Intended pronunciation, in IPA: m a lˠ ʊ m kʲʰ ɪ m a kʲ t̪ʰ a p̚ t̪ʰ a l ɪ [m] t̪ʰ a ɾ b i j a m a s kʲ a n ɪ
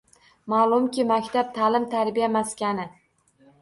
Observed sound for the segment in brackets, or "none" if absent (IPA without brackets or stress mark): m